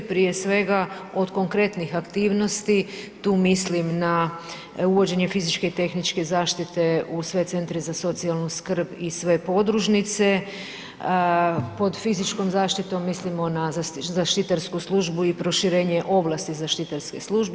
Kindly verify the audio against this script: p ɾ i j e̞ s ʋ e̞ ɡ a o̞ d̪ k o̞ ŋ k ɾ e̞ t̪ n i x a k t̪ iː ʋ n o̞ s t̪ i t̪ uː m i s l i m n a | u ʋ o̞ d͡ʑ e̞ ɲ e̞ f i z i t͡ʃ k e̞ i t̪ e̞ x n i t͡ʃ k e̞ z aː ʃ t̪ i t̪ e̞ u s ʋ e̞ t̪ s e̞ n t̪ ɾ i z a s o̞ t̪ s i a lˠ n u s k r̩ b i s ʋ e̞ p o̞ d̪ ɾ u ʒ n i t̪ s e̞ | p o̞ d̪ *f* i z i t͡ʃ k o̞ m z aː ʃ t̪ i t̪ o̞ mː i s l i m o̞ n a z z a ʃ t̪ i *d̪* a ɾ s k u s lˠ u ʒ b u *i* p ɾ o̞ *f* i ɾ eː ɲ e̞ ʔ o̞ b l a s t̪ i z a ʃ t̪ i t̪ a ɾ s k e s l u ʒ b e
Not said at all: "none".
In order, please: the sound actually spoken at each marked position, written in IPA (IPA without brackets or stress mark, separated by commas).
f, t̪, i, ʃ